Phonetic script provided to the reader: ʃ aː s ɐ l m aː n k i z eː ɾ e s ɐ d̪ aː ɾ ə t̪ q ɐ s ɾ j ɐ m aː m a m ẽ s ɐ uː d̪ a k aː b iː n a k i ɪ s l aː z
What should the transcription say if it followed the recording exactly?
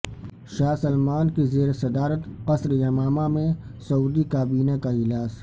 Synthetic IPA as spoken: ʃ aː s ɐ l m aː n k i z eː ɾ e s ɐ d̪ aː ɾ ə t̪ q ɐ s ɾ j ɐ m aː m a m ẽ s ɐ uː d̪ i k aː b iː n a k a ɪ l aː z